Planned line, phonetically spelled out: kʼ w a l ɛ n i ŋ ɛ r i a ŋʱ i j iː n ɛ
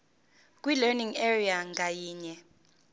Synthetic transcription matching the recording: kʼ w i l ɛ n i ŋ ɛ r i a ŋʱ a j iː ɲ ɛ